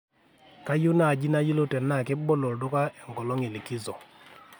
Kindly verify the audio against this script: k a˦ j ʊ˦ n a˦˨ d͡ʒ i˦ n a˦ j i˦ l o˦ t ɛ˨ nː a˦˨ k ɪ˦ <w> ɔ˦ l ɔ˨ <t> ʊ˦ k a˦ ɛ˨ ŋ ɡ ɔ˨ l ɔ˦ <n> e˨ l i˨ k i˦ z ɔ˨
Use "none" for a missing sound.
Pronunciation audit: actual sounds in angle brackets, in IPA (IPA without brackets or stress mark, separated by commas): b, d, ŋ